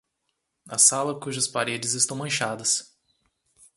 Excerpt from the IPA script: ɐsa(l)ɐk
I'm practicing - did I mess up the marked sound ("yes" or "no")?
no